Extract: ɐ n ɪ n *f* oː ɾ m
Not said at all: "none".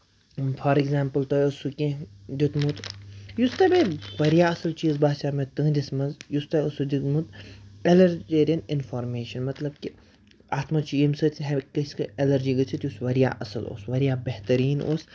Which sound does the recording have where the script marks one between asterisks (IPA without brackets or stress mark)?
f